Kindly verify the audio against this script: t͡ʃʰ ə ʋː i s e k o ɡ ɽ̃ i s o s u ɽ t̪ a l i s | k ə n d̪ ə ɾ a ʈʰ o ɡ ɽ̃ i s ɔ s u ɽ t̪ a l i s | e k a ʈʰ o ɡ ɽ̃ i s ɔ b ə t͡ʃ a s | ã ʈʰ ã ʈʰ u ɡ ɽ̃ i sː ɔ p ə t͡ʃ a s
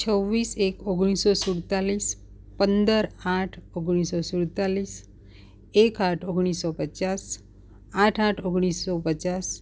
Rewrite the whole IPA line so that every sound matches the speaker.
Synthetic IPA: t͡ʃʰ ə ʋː i s e k o ɡ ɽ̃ i s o s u ɽ t̪ a l i s | p ə n d̪ ə ɾ a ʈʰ o ɡ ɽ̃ i s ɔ s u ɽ t̪ a l i s | e k a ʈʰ o ɡ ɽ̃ i s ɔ p ə t͡ʃ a s | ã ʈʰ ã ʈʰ o ɡ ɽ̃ i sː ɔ p ə t͡ʃ a s

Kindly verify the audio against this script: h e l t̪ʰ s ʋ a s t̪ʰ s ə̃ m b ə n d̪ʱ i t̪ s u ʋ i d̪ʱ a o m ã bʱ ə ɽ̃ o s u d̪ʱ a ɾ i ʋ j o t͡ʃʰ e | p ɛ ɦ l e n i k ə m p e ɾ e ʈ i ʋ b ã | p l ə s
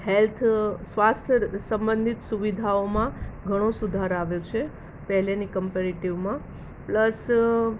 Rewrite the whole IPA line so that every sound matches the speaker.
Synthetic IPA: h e l t̪ʰ s ʋ a s t̪ʰ s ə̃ m b ə n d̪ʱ i t̪ s u ʋ i d̪ʱ a o m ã ɡʱ ə ɽ̃ o s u d̪ʱ a ɾ a ʋ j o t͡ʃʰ e | p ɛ ɦ l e n i k ə m p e ɾ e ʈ i ʋ m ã | p l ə s

